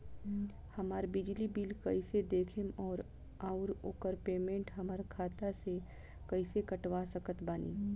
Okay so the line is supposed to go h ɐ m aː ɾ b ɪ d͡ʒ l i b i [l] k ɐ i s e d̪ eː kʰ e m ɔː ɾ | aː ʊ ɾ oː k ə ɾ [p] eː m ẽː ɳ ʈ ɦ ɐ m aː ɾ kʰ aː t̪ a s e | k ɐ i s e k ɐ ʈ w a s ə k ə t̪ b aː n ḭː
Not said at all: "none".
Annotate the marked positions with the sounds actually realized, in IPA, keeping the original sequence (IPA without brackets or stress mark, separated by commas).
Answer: l, p